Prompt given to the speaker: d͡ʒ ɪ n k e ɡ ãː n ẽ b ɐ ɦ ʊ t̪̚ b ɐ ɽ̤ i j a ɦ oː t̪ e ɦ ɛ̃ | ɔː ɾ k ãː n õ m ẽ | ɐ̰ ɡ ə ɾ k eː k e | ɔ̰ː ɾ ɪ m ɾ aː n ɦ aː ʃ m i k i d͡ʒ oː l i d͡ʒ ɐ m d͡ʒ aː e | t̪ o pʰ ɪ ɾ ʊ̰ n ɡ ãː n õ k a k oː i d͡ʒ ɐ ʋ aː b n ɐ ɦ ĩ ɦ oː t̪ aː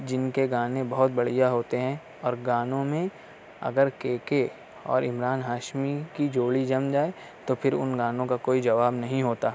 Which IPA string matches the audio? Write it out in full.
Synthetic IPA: d͡ʒ ɪ n k e ɡ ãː n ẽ b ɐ ɦ ʊ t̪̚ b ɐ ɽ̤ i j a ɦ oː t̪ e ɦ ɛ̃ | ɔː ɾ ɡ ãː n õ m ẽ | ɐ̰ ɡ ə ɾ k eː k e | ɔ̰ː ɾ ɪ m ɾ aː n ɦ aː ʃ m i k i d͡ʒ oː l i d͡ʒ ɐ m d͡ʒ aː e | t̪ o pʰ ɪ ɾ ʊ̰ n ɡ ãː n õ k a k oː i d͡ʒ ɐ ʋ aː b n ɐ ɦ ĩ ɦ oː t̪ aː